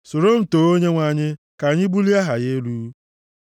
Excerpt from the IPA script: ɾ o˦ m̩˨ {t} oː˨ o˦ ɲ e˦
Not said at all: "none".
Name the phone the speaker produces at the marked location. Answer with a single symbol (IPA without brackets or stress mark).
t